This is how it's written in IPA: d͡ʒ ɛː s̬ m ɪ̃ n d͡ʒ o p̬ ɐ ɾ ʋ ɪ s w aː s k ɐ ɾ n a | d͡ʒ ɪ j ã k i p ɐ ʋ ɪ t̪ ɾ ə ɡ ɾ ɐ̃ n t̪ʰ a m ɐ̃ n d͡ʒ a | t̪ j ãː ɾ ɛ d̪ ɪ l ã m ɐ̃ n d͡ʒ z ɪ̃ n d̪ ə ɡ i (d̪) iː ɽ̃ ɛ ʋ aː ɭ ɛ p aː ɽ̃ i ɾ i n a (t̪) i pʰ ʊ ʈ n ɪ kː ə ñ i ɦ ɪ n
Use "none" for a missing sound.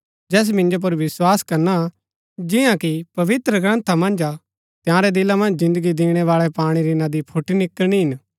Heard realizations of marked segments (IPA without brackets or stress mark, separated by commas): d̪, d̪